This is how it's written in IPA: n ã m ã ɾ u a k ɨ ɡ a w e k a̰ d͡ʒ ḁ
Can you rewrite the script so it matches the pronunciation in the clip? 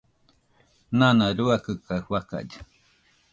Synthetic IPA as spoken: n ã n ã ɾ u a k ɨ k a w a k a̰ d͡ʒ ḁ